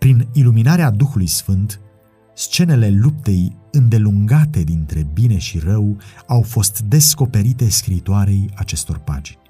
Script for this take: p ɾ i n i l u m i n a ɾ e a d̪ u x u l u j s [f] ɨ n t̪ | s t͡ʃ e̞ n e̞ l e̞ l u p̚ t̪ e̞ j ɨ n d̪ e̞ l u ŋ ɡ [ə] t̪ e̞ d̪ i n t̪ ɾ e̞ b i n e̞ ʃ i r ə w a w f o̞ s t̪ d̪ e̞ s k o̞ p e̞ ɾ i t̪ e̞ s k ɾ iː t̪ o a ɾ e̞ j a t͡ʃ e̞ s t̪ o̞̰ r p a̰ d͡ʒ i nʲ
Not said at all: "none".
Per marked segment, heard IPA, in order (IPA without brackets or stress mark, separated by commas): f, a